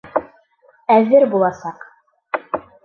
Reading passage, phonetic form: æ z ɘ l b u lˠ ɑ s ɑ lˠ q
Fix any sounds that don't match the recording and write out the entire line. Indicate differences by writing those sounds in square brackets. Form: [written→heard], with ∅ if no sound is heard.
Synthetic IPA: æ [z→ð] ɘ [l→ɾ] b u lˠ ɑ s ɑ [lˠ→∅] q